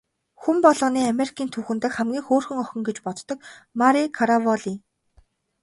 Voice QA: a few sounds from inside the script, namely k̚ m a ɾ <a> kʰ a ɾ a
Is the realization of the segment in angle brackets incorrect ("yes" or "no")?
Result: yes